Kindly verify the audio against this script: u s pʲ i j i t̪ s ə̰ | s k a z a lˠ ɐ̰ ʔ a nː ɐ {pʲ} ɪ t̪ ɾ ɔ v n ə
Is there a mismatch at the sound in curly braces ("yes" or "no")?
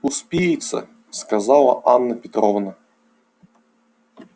no